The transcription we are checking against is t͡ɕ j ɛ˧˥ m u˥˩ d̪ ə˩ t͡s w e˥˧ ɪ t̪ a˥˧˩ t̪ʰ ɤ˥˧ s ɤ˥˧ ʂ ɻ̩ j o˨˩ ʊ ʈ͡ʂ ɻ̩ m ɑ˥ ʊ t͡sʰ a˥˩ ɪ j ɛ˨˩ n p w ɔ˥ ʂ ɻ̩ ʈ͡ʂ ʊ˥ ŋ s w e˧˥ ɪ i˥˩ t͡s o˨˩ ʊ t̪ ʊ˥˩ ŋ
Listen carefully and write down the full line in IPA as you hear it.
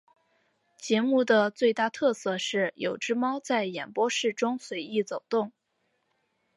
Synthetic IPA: t͡ɕ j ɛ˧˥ m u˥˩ d̪ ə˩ t͡s w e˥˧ ɪ t̪ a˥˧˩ t̪ʰ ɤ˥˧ s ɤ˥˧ ʂ ɻ̩ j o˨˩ ʊ ʈ͡ʂ ɻ̩ m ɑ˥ ʊ t͡s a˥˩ ɪ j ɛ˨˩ n p w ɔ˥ ʂ ɻ̩ ʈ͡ʂ ʊ˥ ŋ s w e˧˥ ɪ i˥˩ t͡s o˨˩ ʊ t̪ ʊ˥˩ ŋ